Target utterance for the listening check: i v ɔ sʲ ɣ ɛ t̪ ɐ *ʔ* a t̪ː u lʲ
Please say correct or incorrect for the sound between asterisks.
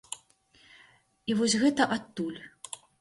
correct